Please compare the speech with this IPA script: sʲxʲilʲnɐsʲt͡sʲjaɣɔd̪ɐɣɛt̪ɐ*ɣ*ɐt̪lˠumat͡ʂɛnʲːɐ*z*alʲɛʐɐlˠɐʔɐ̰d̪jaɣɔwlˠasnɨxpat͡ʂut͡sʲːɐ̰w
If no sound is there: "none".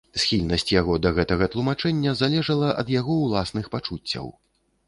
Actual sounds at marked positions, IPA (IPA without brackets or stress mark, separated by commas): ɣ, z